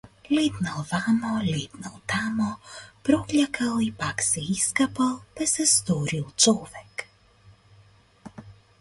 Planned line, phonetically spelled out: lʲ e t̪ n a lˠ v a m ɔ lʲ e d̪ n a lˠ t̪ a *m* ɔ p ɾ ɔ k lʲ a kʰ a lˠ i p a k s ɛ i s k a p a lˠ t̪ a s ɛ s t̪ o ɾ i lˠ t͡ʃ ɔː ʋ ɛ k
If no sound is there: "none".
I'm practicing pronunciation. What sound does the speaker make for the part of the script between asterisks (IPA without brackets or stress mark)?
m